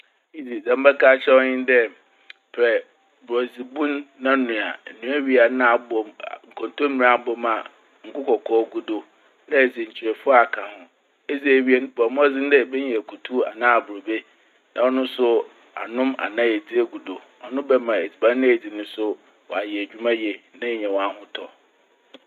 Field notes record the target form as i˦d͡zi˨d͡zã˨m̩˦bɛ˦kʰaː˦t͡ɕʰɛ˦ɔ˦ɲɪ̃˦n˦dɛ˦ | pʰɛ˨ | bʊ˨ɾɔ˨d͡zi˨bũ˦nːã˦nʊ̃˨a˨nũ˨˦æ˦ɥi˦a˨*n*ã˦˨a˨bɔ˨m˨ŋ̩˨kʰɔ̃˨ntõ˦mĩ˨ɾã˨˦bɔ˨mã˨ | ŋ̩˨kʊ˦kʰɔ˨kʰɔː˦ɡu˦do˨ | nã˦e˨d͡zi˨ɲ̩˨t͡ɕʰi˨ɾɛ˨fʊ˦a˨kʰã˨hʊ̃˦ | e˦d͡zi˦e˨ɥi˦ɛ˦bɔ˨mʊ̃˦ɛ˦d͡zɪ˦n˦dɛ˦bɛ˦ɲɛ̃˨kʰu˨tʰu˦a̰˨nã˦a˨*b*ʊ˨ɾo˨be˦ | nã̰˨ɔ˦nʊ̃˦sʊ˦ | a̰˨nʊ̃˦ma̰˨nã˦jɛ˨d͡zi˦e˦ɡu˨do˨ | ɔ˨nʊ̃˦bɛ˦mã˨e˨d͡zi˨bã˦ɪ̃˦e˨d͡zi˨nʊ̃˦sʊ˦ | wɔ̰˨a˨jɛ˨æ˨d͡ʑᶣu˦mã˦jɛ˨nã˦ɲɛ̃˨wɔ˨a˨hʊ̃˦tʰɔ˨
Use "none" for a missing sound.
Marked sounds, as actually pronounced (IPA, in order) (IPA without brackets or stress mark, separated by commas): n, b